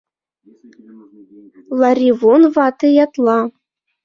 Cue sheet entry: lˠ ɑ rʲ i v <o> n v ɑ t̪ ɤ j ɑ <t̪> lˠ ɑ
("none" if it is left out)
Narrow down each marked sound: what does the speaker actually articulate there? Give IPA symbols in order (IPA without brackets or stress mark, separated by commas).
o, t̪